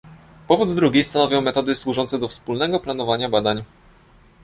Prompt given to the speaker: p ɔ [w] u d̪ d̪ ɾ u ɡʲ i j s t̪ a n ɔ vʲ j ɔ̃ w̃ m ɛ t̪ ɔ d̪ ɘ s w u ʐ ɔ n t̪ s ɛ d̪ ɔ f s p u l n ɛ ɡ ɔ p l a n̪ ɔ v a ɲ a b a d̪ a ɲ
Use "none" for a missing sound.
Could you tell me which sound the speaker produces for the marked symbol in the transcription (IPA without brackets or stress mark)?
v